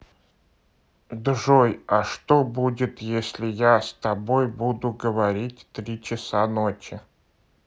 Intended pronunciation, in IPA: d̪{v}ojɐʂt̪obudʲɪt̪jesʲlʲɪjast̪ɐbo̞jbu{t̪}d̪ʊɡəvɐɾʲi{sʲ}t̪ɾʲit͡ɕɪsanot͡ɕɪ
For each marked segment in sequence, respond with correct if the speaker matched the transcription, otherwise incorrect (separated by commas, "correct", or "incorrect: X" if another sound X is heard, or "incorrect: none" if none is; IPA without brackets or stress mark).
incorrect: ʐ, incorrect: none, incorrect: tʲ